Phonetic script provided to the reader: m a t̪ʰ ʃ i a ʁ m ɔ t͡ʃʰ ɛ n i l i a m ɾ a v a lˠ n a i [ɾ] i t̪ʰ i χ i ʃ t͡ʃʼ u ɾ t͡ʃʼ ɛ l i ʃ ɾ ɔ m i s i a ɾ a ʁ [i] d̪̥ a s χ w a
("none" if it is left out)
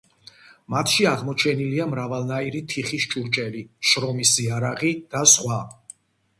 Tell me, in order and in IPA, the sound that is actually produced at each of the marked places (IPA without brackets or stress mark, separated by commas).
ɾ, i